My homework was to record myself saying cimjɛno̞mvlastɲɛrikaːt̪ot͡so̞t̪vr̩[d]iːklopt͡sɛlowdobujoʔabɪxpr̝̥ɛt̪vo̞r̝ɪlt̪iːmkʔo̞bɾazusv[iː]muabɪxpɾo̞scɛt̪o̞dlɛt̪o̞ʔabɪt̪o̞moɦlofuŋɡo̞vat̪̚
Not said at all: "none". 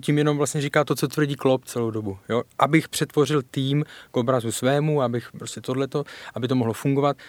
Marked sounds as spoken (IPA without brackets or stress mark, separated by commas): ɟ, ɛː